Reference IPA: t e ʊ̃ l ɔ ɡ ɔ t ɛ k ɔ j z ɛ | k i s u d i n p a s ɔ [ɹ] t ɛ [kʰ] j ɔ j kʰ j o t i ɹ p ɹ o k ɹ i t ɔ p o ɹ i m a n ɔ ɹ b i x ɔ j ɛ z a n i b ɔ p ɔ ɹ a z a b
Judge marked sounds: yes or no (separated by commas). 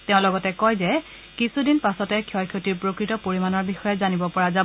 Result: no, yes